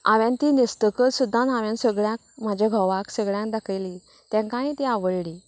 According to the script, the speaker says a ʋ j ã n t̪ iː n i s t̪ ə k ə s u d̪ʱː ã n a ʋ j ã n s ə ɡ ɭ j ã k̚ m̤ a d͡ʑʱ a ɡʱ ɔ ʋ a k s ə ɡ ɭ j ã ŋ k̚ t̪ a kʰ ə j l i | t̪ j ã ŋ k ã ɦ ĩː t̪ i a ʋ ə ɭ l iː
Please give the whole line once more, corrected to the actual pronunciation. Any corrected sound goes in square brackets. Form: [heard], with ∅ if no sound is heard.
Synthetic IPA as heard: a ʋ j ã n t̪ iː n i s t̪ ə k ə s u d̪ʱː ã n a ʋ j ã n s ə ɡ ɭ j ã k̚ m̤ a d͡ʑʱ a ɡʱ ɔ ʋ a k s ə ɡ ɭ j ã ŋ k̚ [d̪] a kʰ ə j l i | t̪ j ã ŋ k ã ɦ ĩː t̪ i a ʋ ə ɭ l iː